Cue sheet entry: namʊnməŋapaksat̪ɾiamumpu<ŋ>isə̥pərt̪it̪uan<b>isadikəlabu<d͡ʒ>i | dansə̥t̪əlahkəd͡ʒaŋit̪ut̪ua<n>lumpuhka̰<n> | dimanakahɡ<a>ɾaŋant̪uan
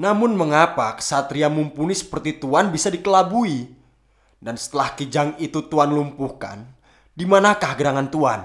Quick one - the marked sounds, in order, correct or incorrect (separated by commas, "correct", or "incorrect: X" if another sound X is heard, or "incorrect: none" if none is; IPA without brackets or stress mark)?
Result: incorrect: n, correct, incorrect: none, correct, correct, incorrect: ə